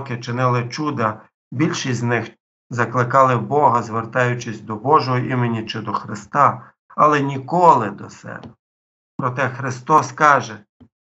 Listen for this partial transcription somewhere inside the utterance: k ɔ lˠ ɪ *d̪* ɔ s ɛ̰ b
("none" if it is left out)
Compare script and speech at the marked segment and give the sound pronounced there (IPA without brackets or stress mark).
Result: d̪